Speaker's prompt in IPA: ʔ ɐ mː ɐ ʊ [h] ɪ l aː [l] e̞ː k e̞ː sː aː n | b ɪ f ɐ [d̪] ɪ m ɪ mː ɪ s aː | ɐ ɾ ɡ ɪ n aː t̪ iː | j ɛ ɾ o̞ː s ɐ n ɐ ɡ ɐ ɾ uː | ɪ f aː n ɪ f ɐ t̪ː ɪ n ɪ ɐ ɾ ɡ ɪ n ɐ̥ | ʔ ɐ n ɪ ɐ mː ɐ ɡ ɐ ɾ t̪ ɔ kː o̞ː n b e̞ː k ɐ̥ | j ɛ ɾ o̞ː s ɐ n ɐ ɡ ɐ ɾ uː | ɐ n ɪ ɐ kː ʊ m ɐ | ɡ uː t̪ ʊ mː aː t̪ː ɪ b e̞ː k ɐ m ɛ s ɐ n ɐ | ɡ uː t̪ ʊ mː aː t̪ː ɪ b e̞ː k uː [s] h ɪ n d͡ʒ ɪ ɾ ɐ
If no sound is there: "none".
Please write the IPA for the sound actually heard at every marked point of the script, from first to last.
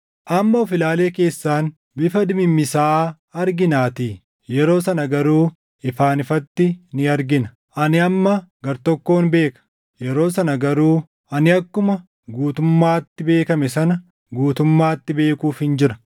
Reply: f, l, d̪, f

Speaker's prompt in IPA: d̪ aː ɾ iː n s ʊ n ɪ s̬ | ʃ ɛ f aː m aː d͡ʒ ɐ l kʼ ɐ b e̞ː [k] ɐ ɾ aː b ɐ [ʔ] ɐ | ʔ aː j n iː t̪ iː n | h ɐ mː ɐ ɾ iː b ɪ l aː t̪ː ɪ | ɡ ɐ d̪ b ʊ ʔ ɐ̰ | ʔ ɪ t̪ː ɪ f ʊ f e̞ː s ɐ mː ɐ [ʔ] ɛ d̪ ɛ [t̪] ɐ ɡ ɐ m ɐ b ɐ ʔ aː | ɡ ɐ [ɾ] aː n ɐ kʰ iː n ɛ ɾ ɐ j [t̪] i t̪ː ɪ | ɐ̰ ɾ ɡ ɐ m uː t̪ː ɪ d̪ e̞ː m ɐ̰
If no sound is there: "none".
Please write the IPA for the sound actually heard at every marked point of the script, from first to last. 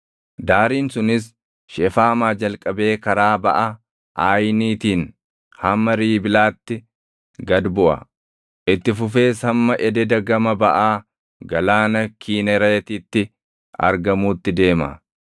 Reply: k, ʔ, ʔ, d̪, l, t̪

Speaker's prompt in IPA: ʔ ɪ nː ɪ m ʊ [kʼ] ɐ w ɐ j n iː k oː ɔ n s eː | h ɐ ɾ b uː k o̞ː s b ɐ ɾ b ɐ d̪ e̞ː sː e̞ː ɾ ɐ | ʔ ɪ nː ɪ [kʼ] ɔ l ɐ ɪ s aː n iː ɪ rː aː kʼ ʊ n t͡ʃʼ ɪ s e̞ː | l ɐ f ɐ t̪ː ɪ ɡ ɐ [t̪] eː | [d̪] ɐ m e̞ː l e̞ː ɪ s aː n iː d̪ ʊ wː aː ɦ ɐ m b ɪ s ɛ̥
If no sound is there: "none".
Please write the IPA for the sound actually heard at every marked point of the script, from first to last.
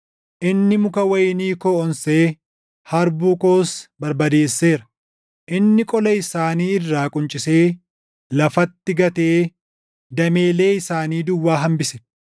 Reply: k, kʼ, t̪, d̪

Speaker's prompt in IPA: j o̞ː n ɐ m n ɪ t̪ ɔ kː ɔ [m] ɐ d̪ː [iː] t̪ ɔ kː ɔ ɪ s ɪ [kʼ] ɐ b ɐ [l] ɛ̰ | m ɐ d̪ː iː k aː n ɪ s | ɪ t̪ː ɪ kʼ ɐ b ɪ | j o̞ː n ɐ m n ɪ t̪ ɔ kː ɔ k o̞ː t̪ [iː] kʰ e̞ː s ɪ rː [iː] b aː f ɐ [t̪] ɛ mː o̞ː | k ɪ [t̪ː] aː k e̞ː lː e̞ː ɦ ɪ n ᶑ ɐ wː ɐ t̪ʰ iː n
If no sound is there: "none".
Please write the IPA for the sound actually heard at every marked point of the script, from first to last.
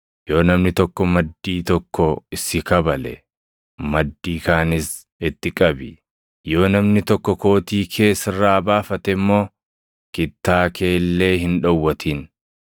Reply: m, iː, k, l, iː, aː, t̪, t̪ː

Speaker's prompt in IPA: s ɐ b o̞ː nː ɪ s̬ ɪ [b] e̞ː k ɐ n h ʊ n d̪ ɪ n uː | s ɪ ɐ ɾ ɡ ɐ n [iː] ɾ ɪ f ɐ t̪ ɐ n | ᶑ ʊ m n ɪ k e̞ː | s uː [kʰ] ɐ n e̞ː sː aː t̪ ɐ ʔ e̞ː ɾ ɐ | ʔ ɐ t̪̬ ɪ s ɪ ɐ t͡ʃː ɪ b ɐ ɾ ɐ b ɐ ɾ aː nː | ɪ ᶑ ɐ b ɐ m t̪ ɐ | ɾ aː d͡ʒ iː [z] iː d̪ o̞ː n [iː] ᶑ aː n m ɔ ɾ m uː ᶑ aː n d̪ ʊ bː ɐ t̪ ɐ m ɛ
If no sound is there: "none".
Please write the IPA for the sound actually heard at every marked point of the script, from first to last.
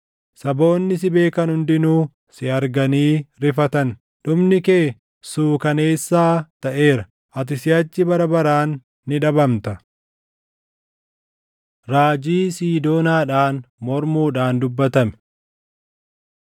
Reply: b, iː, k, s, aː

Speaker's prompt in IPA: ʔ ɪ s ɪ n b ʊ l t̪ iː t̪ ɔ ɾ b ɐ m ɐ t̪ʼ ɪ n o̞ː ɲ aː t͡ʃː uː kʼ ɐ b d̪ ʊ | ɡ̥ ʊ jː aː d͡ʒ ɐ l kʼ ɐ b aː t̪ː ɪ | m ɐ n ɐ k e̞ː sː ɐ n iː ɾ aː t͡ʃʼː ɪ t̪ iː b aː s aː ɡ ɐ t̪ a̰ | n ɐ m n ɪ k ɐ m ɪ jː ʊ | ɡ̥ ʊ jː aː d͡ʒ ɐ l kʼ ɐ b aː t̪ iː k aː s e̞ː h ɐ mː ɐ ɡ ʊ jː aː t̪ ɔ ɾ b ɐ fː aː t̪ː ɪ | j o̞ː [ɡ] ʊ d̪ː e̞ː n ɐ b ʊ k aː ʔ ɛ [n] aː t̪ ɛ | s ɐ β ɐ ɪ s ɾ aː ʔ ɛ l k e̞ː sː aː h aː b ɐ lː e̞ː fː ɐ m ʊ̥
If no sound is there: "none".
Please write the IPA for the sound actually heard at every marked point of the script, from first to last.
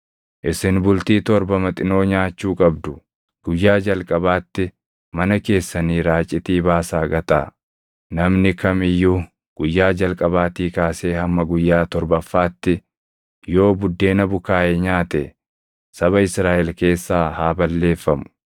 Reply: b, ɲ

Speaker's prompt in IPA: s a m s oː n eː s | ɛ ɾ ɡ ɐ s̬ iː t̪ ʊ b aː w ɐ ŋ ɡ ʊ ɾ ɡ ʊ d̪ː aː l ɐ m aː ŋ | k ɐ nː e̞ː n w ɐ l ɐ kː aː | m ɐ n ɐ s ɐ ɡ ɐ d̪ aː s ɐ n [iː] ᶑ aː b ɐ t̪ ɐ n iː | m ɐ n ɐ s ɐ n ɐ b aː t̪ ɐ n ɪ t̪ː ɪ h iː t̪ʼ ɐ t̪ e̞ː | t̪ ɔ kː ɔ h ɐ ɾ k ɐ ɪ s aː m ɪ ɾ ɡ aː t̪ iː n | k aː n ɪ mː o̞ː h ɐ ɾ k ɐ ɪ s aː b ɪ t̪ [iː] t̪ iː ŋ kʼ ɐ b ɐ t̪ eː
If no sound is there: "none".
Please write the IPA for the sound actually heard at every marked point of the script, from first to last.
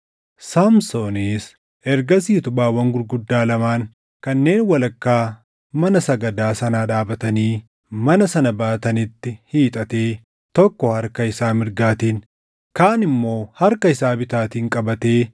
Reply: aː, aː

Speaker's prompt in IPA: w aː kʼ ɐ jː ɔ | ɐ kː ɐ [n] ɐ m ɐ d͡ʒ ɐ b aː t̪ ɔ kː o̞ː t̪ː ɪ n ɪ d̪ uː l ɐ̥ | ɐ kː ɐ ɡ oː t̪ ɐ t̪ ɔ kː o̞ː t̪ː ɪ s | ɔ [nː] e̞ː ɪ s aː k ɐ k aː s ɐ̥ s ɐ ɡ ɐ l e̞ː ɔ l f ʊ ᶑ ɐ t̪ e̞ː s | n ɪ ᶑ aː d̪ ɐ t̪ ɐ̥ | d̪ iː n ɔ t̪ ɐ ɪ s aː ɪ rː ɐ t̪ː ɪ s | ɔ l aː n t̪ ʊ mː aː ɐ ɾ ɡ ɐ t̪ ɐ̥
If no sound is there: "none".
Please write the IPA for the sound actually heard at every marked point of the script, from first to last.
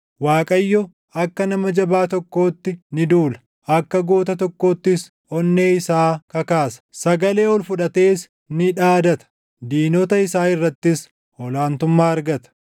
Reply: n, nː

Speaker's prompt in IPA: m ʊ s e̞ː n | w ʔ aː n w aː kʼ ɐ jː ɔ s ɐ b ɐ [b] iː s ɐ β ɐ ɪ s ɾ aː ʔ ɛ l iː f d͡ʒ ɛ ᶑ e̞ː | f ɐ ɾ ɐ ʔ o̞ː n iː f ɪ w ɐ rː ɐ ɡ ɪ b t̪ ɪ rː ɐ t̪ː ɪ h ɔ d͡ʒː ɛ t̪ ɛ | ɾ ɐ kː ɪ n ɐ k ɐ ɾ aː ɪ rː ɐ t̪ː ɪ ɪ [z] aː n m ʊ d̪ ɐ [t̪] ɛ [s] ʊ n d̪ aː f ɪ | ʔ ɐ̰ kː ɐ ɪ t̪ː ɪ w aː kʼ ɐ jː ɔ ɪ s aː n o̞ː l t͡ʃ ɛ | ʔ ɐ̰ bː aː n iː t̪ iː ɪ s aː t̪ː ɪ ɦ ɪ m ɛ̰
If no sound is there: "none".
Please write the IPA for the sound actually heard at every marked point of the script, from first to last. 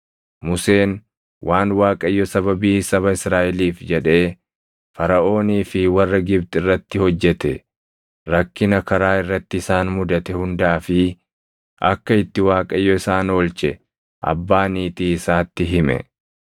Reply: b, s, t̪, h

